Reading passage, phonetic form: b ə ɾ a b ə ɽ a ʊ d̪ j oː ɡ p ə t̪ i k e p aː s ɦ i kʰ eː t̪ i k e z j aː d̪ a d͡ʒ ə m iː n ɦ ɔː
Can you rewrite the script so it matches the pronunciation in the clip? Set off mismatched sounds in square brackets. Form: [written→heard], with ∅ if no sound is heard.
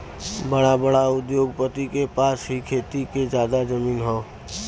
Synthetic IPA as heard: b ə [ɾ→ɽ] a b ə ɽ a ʊ d̪ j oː ɡ p ə t̪ i k e p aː s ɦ i kʰ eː t̪ i k e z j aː d̪ a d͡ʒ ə m iː n ɦ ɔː